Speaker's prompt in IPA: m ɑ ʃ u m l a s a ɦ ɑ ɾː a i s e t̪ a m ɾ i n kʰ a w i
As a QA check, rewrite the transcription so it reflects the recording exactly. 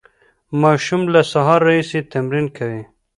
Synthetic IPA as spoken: m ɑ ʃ u m l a s a ɦ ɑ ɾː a i s e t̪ a m ɾ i n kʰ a w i